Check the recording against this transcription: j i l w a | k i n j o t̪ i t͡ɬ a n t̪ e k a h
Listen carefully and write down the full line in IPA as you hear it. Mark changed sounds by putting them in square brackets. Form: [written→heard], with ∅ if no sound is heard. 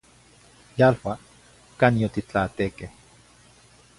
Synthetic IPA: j [i→a] l w a | k [i→a] n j o t̪ i t͡ɬ a [n→∅] t̪ e k [a→e] h